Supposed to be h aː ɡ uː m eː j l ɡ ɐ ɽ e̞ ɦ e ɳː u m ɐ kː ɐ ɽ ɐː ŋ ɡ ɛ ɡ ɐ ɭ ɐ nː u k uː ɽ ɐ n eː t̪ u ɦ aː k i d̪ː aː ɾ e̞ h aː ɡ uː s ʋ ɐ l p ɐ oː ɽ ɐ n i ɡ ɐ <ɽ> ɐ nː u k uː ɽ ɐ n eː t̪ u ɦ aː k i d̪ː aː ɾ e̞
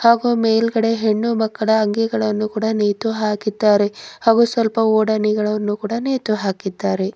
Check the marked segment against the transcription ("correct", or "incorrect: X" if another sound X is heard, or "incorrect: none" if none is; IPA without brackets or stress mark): incorrect: ɭ